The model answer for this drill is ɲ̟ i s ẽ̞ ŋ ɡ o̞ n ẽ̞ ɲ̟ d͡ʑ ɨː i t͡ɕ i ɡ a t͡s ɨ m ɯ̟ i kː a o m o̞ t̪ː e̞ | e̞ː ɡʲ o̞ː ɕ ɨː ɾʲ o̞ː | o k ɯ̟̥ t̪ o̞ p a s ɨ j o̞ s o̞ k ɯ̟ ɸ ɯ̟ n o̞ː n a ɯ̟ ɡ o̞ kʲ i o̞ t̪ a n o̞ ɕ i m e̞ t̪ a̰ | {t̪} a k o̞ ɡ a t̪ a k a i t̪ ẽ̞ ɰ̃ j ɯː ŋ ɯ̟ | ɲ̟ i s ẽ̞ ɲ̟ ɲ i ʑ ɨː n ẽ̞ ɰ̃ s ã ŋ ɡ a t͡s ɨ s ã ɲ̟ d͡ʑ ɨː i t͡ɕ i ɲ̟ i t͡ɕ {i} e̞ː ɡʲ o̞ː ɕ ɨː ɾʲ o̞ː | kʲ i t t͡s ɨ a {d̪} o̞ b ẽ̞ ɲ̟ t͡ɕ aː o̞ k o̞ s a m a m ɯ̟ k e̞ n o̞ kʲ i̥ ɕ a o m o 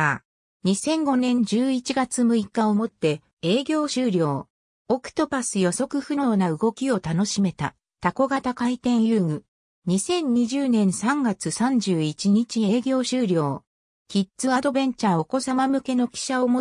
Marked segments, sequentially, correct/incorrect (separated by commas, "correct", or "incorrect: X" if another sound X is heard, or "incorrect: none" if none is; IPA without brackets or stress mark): correct, correct, correct